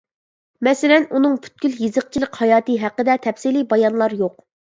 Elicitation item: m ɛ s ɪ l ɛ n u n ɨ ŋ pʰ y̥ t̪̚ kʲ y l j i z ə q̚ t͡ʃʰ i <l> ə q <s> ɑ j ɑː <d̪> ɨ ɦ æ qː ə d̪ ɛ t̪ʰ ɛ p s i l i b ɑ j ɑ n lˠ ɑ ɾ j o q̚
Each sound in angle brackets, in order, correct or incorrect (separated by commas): correct, incorrect, incorrect